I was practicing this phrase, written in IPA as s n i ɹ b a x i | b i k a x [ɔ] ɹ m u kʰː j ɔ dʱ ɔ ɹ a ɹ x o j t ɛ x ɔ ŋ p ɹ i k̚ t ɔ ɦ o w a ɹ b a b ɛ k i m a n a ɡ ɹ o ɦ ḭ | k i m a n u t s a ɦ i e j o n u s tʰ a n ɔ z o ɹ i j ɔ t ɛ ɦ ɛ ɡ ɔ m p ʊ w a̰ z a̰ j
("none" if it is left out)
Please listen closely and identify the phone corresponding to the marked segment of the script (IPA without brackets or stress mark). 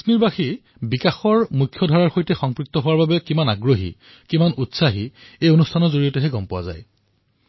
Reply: ɔ